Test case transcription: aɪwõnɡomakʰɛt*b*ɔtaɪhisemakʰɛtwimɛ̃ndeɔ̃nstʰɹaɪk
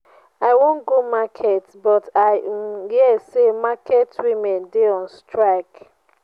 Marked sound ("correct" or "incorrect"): correct